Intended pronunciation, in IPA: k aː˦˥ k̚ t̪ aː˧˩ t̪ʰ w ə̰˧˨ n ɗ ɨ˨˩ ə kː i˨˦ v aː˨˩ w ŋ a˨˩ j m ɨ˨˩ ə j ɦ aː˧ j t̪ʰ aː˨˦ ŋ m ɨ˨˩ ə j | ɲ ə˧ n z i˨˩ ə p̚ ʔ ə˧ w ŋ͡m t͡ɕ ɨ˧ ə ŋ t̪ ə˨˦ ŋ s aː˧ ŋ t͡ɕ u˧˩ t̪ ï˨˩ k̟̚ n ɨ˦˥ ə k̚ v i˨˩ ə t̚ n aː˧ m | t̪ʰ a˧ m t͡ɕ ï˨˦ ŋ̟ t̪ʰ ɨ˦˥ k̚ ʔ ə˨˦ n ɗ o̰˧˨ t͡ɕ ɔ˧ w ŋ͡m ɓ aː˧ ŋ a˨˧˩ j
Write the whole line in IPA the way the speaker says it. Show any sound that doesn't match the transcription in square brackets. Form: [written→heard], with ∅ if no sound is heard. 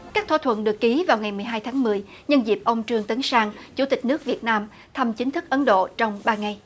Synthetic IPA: k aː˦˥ k̚ [t̪→t̪ʰ] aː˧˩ t̪ʰ w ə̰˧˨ n ɗ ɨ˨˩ ə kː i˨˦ v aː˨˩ w ŋ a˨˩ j m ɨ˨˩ ə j ɦ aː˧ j t̪ʰ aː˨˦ ŋ m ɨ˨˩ ə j | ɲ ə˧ n z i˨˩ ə p̚ ʔ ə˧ w ŋ͡m t͡ɕ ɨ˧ ə ŋ t̪ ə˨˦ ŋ s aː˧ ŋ t͡ɕ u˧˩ t̪ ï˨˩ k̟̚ n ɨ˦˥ ə k̚ v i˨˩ ə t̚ n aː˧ m | t̪ʰ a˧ m t͡ɕ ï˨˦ ŋ̟ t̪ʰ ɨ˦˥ k̚ ʔ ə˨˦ n ɗ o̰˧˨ t͡ɕ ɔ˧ w ŋ͡m ɓ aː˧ ŋ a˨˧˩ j